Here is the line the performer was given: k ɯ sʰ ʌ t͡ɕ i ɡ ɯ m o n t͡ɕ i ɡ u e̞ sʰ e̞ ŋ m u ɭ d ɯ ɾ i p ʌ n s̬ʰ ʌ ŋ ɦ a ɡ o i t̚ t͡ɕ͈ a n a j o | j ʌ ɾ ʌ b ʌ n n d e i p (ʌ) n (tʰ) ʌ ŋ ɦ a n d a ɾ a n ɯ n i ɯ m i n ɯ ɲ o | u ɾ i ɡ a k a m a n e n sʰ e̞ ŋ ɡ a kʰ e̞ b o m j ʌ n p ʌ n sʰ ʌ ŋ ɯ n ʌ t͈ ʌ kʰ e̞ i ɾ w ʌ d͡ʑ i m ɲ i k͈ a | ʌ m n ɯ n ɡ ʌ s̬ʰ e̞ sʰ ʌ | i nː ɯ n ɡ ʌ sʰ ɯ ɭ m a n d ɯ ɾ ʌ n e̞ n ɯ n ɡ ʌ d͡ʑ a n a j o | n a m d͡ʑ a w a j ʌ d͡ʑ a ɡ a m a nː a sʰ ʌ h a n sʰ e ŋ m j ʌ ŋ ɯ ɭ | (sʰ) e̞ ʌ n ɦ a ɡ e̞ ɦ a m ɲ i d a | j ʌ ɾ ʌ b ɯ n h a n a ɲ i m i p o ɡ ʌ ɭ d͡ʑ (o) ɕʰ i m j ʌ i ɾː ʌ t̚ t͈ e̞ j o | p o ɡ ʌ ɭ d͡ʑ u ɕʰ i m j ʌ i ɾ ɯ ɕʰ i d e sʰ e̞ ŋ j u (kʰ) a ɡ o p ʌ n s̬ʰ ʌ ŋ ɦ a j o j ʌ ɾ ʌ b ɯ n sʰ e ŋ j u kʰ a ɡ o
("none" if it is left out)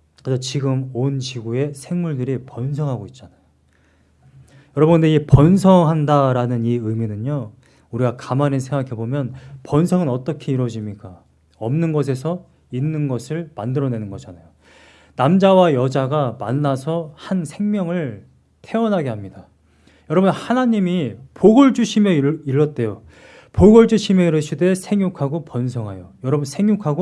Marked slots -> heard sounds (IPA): ʌ, sʰ, tʰ, u, kʰ

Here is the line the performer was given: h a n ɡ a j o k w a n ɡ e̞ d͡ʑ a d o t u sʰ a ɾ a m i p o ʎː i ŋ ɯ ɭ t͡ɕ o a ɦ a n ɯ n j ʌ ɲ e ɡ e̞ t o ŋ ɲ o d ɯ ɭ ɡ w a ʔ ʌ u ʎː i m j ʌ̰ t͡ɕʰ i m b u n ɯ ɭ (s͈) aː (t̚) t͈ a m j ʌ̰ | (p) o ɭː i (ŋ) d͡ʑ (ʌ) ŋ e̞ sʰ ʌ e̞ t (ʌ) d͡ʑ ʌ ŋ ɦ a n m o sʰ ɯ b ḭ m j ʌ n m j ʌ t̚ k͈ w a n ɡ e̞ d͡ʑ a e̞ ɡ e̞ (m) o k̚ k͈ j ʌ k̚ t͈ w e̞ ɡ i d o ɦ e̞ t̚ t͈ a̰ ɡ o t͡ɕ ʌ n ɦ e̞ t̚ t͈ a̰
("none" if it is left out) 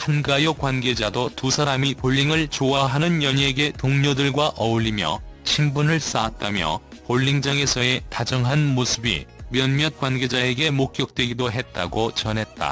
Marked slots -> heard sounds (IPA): s͈, t̚, p, ŋ, a, a, m

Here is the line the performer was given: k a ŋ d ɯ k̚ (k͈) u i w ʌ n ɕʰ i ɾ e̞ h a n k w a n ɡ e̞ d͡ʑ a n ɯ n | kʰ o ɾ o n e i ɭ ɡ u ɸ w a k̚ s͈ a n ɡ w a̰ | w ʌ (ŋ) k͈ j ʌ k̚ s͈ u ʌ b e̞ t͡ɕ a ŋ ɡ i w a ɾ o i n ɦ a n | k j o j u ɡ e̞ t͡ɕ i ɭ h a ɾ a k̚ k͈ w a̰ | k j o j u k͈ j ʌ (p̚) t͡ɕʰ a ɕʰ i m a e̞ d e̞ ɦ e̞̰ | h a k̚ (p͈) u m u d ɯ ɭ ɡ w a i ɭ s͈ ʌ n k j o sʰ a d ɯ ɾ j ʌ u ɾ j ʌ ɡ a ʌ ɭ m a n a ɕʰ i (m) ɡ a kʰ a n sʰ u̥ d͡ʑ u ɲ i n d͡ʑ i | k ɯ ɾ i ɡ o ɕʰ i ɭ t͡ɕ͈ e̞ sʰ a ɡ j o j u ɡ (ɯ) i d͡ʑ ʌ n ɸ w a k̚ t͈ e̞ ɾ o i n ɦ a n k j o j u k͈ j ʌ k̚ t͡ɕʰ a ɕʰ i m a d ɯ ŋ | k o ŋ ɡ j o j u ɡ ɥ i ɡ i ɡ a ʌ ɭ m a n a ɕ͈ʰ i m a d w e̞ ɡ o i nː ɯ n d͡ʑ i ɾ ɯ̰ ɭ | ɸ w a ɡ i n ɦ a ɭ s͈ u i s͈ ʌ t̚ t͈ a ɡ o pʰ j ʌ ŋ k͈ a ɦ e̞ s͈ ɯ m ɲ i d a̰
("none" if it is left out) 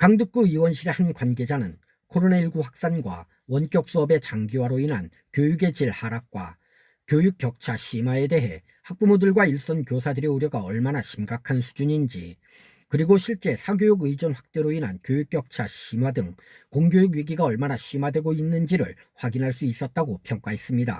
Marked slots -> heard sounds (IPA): k͈, n, k̚, p͈, m, ɯ

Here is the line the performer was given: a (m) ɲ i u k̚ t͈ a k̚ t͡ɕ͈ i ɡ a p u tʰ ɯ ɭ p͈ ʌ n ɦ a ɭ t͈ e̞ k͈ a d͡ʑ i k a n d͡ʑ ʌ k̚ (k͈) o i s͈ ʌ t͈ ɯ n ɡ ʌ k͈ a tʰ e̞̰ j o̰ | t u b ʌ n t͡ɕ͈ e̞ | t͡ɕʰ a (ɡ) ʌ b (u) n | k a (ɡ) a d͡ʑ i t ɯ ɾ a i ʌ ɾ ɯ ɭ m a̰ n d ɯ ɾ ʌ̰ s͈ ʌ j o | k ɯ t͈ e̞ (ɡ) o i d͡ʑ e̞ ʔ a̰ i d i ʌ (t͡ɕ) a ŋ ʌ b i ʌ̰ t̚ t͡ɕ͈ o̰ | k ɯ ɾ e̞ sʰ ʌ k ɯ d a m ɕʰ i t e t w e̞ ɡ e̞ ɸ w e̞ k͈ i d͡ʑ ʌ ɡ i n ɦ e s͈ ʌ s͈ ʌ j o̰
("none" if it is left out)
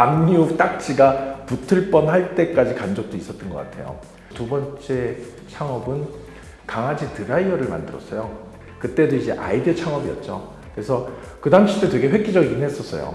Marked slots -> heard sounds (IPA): m, t͈, ŋ, ɯ, ŋ, d, t͡ɕʰ

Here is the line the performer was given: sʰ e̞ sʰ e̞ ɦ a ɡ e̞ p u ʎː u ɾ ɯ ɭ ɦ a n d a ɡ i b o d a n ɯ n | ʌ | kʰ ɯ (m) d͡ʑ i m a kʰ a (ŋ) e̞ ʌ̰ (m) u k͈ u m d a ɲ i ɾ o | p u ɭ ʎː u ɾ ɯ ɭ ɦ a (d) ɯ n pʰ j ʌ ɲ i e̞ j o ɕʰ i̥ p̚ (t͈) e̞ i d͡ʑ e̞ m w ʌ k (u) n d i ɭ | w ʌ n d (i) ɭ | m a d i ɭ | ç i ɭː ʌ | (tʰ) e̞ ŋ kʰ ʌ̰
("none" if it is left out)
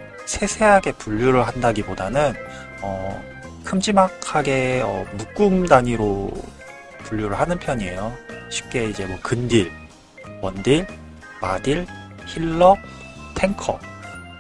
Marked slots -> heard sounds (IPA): m, ɡ, m, n, k͈, ɯ, i, tʰ

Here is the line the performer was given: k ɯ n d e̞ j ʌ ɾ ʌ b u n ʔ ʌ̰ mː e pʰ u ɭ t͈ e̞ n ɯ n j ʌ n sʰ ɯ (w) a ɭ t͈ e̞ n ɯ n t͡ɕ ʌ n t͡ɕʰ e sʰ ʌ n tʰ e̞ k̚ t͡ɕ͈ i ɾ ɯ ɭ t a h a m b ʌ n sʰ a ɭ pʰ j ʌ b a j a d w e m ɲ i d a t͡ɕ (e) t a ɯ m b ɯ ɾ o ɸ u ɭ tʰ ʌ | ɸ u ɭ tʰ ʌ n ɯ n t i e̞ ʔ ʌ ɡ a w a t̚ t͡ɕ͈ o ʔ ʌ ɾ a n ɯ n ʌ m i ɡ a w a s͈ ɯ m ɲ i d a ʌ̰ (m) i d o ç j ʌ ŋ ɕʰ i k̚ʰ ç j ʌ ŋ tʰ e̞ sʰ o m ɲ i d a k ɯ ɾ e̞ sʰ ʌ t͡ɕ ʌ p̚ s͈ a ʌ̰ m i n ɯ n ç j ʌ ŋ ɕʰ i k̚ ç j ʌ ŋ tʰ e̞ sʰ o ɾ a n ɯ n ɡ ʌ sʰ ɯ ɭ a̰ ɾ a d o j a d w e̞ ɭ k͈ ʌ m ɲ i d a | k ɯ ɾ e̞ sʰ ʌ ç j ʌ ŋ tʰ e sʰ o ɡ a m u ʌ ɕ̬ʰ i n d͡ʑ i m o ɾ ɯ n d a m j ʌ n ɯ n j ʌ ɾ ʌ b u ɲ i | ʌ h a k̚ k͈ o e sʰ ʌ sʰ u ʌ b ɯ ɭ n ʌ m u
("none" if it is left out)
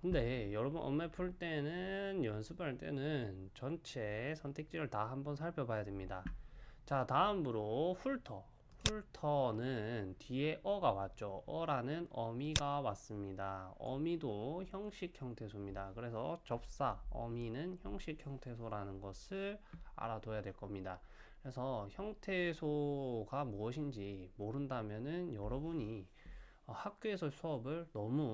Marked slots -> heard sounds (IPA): b, a, m

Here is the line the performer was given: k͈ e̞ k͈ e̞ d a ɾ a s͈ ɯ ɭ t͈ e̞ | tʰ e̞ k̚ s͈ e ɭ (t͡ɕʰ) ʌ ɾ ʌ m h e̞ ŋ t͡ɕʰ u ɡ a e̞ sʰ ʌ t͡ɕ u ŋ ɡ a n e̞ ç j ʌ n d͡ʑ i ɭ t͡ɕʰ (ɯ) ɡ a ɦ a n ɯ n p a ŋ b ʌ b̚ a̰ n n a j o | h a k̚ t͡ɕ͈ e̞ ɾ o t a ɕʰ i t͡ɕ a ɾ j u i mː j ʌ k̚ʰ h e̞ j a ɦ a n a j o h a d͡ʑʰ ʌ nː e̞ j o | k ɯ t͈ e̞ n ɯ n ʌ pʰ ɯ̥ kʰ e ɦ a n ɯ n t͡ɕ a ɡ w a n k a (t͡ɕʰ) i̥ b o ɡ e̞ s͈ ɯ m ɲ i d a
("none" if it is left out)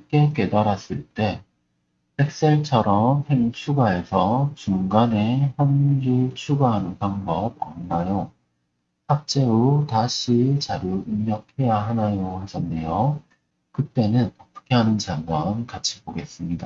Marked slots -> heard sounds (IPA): t͡ɕʰ, u, t͡ɕʰ

